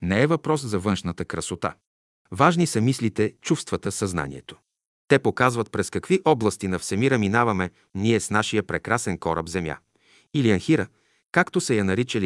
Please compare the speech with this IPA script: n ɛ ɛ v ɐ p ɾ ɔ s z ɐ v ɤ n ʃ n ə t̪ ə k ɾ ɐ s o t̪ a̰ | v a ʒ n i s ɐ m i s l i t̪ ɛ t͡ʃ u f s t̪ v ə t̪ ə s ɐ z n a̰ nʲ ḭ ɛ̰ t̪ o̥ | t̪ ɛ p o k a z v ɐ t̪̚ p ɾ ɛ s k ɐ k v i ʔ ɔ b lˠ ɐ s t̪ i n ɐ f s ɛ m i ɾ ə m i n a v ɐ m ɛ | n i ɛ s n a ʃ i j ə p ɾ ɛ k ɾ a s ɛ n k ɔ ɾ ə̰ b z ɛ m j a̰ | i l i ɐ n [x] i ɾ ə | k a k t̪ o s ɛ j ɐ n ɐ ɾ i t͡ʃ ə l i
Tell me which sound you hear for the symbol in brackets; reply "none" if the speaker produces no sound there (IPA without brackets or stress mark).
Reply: x